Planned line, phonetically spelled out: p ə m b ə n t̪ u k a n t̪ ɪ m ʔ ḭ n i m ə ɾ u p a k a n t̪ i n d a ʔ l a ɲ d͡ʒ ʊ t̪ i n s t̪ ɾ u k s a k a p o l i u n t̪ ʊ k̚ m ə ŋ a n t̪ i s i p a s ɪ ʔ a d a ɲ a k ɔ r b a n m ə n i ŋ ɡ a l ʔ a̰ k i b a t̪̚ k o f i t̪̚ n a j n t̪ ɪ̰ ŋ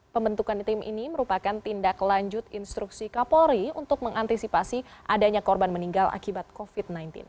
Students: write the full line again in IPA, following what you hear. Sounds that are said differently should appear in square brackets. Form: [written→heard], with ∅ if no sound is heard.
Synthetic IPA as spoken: p ə m b ə n t̪ u k a n t̪ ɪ m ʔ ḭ n i m ə ɾ u p a k a n t̪ i n d a [ʔ→k] l a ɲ d͡ʒ ʊ t̪ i n s t̪ ɾ u k s [a→i] k a p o [l→ɾ] i u n t̪ ʊ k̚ m ə ŋ a n t̪ i s i p a s [ɪ→i] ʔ a d a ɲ a k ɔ r b a n m ə n i ŋ ɡ a l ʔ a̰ k i b a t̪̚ k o f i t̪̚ n a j n t̪ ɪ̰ [ŋ→n]